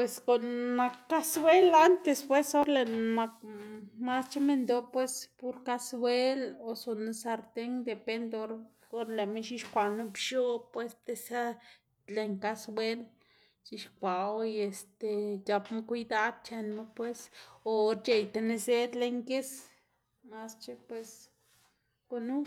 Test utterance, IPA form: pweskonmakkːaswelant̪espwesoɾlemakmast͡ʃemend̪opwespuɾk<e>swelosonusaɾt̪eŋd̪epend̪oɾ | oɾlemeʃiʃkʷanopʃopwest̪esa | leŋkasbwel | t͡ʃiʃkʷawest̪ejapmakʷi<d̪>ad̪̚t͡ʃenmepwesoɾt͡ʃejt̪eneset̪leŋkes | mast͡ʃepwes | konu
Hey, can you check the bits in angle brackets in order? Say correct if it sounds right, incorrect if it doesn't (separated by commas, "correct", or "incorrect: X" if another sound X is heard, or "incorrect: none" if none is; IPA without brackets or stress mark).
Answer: incorrect: a, correct